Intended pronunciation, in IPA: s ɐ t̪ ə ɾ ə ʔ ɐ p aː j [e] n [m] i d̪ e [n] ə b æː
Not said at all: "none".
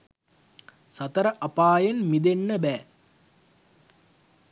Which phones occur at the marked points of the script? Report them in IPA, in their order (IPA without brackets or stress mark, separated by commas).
e, m, nː